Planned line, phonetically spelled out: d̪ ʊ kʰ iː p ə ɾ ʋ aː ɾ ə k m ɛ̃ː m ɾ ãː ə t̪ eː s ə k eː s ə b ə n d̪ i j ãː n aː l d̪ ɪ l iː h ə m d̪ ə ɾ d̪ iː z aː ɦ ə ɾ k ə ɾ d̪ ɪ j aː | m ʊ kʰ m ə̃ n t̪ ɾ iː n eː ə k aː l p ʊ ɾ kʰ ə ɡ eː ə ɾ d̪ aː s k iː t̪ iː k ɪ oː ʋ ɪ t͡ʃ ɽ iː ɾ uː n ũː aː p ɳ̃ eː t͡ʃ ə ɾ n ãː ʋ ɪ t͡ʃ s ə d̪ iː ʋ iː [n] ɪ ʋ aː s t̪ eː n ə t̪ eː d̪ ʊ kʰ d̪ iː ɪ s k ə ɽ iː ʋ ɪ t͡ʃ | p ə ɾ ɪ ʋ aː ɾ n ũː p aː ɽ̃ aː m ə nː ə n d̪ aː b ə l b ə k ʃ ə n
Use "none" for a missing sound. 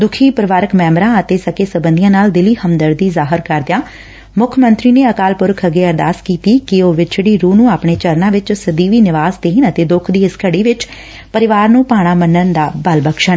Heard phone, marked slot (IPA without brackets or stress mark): n